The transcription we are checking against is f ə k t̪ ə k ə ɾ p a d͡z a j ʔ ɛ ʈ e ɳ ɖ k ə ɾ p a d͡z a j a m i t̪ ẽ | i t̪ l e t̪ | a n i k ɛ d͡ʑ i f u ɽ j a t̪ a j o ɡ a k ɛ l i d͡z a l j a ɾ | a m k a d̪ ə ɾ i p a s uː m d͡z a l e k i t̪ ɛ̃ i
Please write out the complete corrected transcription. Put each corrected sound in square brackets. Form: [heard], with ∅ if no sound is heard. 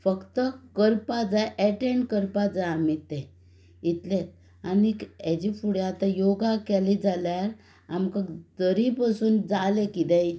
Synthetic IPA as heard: f ə k t̪ ə k ə ɾ p a d͡z a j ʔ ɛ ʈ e ɳ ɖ k ə ɾ p a d͡z a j a m i t̪ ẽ | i t̪ l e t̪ | a n i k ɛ d͡ʑ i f u ɽ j a t̪ a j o ɡ a k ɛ l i d͡z a l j a ɾ | a m k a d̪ ə ɾ i p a s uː [n] d͡z a l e k i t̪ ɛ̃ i